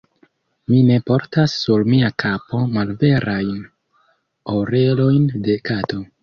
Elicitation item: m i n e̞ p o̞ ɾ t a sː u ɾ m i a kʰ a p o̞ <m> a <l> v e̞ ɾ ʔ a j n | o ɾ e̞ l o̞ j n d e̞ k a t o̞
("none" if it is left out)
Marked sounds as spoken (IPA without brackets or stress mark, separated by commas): m, l